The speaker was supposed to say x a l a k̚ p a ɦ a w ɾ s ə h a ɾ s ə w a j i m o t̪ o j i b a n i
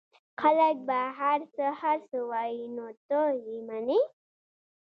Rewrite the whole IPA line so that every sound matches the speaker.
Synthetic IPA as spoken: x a l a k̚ b a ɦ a ɾ s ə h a ɾ s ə w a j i n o t̪ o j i m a n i